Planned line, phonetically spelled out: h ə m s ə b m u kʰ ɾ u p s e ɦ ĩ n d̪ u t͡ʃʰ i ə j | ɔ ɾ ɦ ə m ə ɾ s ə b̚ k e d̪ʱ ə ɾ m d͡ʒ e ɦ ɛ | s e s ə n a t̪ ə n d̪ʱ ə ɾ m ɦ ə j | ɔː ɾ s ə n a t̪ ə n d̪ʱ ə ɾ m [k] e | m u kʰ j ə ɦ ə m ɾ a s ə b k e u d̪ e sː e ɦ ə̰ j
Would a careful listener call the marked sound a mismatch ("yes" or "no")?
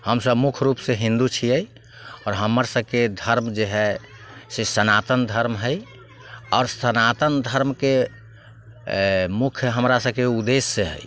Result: no